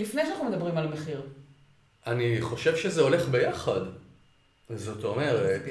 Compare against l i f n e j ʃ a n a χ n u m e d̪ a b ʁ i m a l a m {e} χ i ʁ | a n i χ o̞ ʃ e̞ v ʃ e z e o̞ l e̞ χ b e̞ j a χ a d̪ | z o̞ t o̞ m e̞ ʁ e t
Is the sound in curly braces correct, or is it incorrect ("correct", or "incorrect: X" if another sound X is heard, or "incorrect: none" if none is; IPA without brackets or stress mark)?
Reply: correct